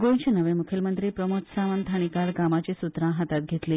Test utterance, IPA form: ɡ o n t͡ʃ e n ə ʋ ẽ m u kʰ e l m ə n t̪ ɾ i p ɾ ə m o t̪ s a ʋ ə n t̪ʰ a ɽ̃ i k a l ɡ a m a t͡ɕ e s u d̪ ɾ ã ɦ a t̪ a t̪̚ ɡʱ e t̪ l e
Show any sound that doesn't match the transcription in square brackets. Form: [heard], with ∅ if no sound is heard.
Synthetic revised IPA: ɡ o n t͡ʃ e n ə ʋ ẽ m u kʰ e l m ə n t̪ ɾ i p ɾ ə m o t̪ s a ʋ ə n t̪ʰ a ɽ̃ i k a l ɡ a m a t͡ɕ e s u [t̪] ɾ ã ɦ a t̪ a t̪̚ ɡʱ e t̪ l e